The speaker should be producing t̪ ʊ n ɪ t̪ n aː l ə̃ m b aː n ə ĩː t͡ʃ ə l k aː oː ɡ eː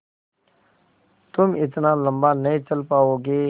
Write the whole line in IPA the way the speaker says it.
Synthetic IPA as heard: t̪ ʊ m ɪ t̪ n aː l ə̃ m b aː n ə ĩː t͡ʃ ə l p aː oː ɡ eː